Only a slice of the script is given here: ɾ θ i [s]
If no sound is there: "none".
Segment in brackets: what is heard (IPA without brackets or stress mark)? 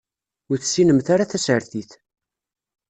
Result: θ